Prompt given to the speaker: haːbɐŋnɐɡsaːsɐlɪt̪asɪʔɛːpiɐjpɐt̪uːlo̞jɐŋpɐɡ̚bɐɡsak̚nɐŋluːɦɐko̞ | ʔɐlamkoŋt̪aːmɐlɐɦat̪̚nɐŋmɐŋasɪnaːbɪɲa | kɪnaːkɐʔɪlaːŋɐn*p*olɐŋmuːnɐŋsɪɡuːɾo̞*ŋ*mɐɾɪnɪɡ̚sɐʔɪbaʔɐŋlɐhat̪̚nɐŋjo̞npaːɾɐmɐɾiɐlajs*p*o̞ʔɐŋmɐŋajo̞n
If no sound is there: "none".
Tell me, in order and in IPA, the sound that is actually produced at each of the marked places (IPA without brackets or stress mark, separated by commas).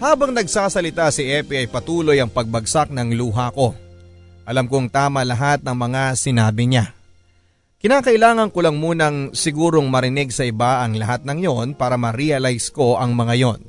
k, ŋ, k